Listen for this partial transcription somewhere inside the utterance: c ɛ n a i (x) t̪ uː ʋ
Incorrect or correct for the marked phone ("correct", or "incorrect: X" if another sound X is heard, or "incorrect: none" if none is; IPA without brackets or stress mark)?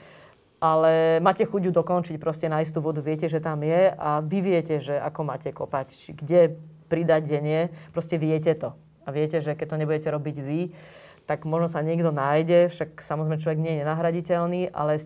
incorrect: s